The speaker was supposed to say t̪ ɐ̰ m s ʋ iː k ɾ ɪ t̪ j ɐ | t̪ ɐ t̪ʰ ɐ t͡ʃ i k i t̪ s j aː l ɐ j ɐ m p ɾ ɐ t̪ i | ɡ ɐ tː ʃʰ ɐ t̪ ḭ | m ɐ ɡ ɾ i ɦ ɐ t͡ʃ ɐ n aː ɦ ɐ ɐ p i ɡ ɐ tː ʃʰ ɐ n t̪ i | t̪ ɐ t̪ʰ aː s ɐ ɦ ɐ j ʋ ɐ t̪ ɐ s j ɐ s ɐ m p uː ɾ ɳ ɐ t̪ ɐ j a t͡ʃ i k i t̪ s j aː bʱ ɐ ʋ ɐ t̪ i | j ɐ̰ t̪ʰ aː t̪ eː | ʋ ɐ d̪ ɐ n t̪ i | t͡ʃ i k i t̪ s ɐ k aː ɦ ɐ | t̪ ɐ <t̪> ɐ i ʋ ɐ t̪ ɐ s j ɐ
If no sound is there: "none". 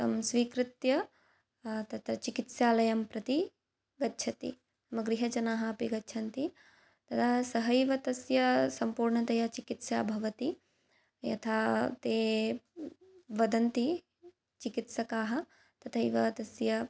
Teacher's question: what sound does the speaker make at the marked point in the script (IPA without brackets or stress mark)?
t̪ʰ